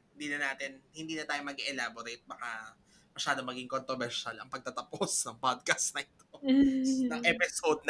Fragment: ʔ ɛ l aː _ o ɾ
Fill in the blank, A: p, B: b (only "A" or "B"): B